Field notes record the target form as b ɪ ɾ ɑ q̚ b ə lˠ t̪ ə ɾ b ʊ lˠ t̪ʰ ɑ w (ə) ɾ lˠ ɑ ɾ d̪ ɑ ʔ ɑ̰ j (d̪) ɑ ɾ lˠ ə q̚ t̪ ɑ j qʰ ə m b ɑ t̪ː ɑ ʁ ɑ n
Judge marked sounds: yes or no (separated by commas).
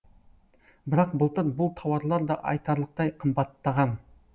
no, no